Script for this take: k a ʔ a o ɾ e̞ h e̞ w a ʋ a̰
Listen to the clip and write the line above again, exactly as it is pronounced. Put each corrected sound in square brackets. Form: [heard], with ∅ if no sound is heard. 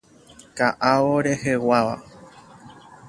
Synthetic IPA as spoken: k a ʔ a o ɾ e̞ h e̞ w a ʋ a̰